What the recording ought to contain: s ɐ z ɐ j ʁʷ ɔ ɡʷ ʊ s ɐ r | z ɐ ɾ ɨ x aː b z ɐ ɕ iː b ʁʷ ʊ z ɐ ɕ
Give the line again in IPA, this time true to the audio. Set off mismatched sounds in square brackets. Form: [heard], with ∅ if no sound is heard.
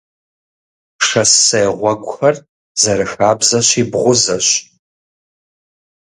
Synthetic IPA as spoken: [ʂ] ɐ [s] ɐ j ʁʷ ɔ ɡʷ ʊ [x] ɐ r | z ɐ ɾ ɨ x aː b z ɐ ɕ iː b ʁʷ ʊ z ɐ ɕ